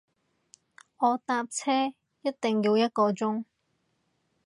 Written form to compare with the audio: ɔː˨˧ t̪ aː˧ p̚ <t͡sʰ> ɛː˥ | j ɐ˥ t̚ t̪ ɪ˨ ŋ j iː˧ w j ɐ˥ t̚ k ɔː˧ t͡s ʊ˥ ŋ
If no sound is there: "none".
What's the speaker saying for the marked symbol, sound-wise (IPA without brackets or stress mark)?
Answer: t͡sʰ